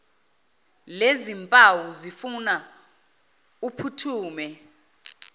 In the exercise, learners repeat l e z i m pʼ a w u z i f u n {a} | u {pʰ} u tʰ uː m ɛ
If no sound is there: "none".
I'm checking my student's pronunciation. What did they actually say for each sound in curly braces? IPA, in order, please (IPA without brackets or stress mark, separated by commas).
a, pʰ